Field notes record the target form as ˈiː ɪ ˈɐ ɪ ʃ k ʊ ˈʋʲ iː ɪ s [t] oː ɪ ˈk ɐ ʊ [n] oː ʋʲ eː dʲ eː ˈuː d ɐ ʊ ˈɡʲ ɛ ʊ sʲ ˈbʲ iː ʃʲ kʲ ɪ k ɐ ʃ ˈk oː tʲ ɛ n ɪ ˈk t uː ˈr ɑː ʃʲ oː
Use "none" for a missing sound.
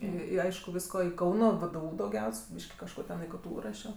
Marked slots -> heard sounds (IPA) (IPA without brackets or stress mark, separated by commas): k, n